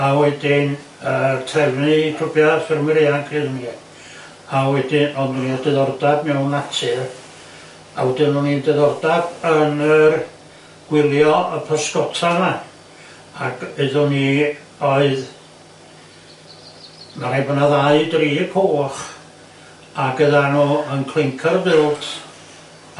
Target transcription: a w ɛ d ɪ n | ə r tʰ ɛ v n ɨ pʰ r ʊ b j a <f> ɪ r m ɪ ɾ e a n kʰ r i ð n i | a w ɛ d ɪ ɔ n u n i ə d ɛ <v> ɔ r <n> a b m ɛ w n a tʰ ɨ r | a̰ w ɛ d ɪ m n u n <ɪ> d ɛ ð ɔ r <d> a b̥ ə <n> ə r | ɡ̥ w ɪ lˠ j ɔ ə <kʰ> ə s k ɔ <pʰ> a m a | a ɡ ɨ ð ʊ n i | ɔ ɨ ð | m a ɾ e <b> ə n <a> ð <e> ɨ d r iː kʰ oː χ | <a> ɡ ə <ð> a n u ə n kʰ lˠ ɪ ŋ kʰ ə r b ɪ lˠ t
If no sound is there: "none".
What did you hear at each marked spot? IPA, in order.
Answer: f, ð, d, i, d, n, pʰ, tʰ, b, a, a, a, ð

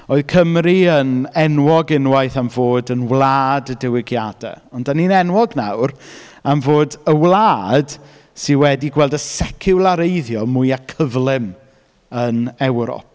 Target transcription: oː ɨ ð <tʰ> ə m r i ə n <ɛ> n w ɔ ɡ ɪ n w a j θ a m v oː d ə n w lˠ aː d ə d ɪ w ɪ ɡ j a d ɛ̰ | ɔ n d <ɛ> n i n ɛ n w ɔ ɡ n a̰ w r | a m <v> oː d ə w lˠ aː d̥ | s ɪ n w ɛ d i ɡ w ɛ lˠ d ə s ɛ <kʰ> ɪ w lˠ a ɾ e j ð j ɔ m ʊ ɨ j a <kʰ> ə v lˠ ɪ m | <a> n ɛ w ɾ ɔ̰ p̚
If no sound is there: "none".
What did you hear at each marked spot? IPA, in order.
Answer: kʰ, ɛ, a, v, kʰ, kʰ, ə

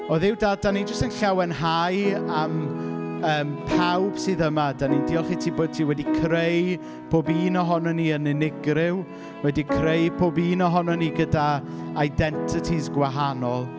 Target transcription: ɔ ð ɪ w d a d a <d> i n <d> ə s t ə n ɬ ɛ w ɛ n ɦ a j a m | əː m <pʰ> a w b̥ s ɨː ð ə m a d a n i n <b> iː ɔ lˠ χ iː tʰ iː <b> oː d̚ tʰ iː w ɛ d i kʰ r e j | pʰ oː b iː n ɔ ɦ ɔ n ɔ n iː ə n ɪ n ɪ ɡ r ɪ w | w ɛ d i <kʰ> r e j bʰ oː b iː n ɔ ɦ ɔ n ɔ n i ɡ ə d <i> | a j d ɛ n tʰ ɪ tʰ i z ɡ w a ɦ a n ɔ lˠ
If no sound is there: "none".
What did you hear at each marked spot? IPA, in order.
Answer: n, d͡ʒ, pʰ, d, b, kʰ, a

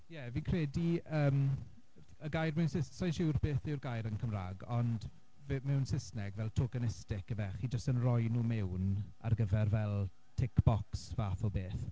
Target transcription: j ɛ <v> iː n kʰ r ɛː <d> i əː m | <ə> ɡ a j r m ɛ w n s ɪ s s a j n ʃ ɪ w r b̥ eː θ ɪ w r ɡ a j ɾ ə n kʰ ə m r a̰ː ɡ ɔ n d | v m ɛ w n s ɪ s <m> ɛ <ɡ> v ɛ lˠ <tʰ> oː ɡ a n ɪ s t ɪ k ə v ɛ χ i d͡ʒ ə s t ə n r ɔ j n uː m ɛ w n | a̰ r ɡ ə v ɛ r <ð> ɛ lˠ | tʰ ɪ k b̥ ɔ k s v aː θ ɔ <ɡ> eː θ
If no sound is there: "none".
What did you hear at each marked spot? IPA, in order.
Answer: v, d, ə, n, ɡ, tʰ, v, b

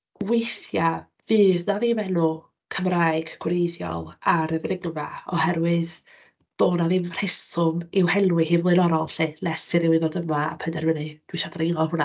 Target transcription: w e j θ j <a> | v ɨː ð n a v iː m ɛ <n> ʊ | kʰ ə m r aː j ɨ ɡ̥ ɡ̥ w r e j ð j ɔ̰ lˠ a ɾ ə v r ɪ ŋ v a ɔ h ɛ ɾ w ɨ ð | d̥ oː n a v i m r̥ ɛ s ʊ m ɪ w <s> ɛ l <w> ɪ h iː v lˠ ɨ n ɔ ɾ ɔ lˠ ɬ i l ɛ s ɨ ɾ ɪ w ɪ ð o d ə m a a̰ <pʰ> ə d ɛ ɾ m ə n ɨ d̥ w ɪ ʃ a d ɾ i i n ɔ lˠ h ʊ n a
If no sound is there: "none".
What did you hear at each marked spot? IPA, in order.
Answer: a, n, h, w, pʰ

